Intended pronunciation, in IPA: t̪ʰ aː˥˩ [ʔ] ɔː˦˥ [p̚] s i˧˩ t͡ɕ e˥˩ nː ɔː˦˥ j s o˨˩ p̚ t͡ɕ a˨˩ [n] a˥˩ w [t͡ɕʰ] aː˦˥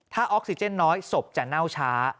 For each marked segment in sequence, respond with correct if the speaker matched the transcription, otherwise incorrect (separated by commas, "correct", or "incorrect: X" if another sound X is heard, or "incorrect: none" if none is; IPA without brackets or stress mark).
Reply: correct, incorrect: k̚, correct, correct